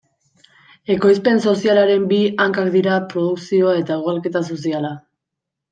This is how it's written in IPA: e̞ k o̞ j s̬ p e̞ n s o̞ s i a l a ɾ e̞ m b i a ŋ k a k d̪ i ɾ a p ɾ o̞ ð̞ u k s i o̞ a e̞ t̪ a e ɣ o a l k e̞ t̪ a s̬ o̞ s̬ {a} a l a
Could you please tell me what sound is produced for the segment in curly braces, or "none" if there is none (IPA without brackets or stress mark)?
i